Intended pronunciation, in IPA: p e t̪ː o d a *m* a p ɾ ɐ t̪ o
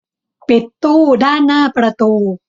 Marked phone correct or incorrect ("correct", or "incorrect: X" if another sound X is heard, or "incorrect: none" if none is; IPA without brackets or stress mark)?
incorrect: n